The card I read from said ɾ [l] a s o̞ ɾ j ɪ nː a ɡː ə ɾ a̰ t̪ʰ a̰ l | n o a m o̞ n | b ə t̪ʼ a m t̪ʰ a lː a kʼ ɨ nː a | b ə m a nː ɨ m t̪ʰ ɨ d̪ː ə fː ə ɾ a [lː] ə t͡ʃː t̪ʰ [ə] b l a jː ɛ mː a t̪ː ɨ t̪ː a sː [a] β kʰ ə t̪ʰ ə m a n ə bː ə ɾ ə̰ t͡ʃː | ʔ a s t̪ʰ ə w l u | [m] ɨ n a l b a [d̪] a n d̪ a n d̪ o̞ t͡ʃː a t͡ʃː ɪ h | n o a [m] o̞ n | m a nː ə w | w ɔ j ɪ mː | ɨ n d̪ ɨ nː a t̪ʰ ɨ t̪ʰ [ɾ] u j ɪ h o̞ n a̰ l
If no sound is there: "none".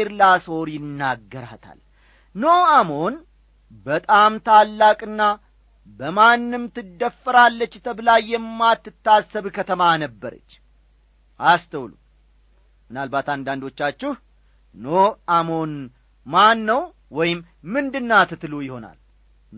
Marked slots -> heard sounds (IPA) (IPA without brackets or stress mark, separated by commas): l, lː, ə, ə, m, t̪, m, l